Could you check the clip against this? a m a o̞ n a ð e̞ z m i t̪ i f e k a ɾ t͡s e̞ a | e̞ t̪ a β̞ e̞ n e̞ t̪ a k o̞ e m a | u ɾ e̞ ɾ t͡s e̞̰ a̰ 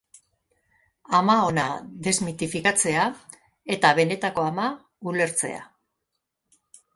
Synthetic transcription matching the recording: a m a o̞ n a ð e̞ z m i t̪ i f i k a t͡s e̞ a | e̞ t̪ a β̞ e̞ n e̞ t̪ a k o̞ a m a | u l e̞ ɾ t͡s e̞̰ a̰